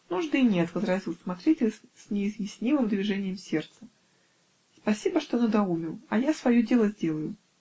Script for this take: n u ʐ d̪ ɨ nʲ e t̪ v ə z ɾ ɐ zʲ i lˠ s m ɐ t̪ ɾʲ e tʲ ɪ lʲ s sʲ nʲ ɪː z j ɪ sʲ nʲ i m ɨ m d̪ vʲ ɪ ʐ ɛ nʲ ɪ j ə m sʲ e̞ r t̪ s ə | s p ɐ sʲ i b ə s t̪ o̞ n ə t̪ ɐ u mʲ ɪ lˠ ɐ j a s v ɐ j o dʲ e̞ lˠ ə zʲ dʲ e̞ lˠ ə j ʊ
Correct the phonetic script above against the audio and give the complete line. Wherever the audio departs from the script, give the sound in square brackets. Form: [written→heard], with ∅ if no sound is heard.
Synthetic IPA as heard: n u ʐ d̪ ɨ nʲ e t̪ v ə z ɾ ɐ zʲ i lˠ s m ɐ t̪ ɾʲ e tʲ ɪ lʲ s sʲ nʲ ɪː z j ɪ sʲ nʲ i m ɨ m d̪ vʲ ɪ ʐ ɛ nʲ ɪ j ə m sʲ e̞ r t̪ s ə | s p ɐ sʲ i b ə [s→ʂ] t̪ o̞ n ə [t̪→d̪] ɐ u mʲ ɪ lˠ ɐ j a s v ɐ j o dʲ e̞ lˠ ə zʲ dʲ e̞ lˠ ə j ʊ